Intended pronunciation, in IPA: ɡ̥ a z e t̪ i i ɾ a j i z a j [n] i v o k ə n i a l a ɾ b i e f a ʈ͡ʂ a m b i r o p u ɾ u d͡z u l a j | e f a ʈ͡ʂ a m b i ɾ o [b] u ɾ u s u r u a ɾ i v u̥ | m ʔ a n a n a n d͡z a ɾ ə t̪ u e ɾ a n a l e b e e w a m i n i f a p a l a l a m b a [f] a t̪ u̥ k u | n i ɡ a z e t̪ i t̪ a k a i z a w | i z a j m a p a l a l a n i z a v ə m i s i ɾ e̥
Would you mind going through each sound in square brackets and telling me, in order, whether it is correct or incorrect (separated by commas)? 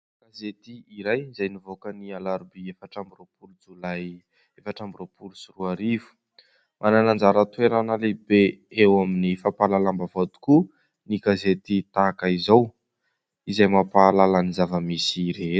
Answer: correct, incorrect, incorrect